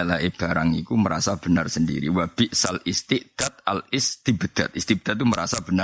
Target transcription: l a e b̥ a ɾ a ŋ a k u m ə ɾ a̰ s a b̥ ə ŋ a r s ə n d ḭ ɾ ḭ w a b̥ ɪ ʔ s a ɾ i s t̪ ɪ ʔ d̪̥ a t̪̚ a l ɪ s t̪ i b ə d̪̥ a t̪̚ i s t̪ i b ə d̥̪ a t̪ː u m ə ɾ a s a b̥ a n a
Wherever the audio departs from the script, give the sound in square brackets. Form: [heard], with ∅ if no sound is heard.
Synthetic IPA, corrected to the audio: l a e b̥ a ɾ a ŋ [i] k u m ə ɾ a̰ s a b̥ ə [n] a r s ə n d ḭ ɾ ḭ w a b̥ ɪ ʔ s a [l] i s t̪ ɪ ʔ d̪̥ a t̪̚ a l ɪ s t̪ i b ə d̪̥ a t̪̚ i s t̪ i b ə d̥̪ a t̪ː u m ə ɾ a s a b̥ [ə] n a